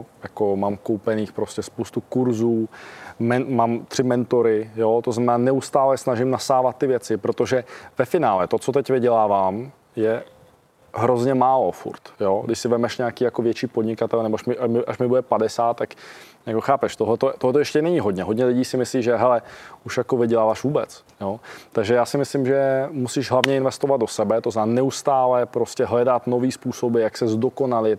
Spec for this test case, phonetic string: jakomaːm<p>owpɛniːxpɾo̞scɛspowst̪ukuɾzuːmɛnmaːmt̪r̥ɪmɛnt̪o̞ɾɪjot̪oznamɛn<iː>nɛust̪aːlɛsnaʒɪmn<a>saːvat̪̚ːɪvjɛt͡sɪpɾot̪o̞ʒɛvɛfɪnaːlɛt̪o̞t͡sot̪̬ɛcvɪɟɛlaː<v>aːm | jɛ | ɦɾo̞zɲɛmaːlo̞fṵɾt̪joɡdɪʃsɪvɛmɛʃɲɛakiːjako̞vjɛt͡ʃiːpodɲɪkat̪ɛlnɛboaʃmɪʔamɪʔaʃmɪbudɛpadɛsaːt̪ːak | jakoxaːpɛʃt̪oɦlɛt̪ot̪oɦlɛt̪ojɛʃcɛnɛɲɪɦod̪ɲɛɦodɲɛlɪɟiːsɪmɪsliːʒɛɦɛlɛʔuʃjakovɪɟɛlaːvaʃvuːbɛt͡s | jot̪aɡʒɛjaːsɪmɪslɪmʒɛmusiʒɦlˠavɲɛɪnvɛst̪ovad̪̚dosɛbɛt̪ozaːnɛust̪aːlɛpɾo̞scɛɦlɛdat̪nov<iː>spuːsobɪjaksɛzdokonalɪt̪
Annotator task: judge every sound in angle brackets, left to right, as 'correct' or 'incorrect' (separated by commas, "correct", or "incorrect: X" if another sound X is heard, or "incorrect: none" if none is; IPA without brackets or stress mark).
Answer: incorrect: k, incorrect: aː, correct, correct, correct